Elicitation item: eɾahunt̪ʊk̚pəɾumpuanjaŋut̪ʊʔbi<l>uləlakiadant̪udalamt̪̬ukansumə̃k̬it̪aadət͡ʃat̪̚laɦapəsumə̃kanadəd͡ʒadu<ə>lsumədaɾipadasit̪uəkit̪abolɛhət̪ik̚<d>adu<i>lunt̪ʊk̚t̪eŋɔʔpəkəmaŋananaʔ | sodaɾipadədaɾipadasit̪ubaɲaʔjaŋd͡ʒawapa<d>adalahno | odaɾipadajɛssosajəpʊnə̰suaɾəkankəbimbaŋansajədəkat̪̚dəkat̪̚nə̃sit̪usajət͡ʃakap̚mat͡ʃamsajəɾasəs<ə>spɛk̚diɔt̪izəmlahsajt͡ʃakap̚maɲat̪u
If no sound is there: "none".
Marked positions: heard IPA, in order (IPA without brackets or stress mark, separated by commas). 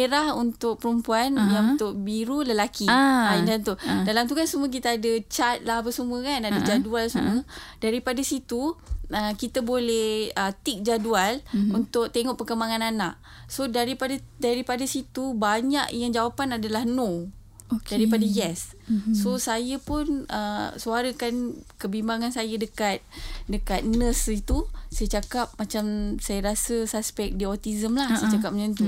ɾ, a, d͡ʒ, a, n, a